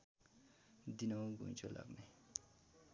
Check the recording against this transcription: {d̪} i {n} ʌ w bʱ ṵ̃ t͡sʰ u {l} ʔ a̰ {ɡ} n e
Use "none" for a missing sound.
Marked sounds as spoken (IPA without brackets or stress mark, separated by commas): d̪, n, l, ɡ